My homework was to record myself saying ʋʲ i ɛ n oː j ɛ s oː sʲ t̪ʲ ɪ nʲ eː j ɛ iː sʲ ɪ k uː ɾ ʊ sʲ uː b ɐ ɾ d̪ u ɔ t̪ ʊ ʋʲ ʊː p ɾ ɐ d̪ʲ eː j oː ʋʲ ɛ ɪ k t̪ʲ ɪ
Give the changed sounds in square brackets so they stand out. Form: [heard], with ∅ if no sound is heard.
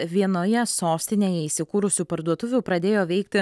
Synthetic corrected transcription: ʋʲ i ɛ n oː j ɛ s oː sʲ t̪ʲ ɪ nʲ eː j ɛ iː sʲ ɪ k uː ɾ ʊ sʲ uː [p] ɐ ɾ d̪ u ɔ t̪ ʊ ʋʲ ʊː p ɾ ɐ d̪ʲ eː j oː ʋʲ ɛ ɪ k t̪ʲ ɪ